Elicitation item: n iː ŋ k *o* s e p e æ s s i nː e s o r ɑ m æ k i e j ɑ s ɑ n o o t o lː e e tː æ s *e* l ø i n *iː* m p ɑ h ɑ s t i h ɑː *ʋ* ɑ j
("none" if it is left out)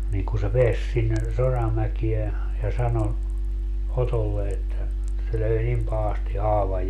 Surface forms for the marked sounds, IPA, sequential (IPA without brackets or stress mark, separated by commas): u, e, i, ʋ